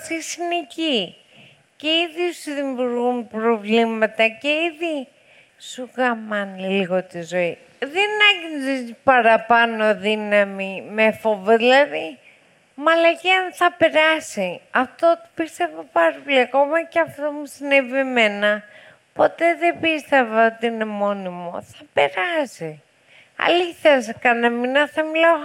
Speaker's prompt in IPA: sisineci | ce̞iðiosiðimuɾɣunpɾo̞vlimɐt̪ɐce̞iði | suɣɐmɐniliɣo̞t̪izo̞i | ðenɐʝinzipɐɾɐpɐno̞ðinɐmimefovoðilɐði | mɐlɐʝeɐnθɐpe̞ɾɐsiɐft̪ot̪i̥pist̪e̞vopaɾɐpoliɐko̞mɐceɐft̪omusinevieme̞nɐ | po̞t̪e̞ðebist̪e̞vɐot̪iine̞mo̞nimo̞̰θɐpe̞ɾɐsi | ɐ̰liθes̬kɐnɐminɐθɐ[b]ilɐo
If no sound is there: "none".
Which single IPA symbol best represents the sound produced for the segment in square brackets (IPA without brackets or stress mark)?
m